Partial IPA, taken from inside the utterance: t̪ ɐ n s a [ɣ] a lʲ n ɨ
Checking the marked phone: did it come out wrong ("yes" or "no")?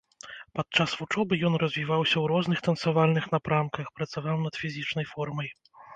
yes